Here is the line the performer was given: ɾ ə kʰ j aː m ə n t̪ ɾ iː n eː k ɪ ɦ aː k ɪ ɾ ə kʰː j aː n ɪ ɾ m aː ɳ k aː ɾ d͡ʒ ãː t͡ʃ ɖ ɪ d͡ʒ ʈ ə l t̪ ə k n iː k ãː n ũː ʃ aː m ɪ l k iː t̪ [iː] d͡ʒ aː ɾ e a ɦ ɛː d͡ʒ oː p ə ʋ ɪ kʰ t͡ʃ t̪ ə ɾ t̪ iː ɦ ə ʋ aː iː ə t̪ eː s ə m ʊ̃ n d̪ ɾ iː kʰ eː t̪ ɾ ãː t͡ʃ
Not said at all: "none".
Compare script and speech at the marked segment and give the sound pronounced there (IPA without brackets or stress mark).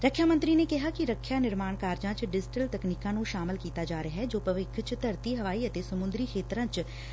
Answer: aː